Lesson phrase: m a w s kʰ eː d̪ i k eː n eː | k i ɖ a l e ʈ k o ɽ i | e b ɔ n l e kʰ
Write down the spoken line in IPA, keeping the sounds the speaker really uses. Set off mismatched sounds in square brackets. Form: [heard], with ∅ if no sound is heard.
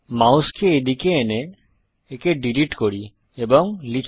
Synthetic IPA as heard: m a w s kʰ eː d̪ i k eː n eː | k [e] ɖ [i] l [i] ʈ k o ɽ i | e b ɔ [ŋ] l [i] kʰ